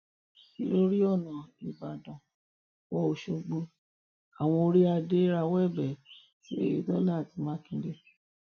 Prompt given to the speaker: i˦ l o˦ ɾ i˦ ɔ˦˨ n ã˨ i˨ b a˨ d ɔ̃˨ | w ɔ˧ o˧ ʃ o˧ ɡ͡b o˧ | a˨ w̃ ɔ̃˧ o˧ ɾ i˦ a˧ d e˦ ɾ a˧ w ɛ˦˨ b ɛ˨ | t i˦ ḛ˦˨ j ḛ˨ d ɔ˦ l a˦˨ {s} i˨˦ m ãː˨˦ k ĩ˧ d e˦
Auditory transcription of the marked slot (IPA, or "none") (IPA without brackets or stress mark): t